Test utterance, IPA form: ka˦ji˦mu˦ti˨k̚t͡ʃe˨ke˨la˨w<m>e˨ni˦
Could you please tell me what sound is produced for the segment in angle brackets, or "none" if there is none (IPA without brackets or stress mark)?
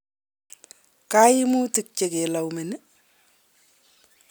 m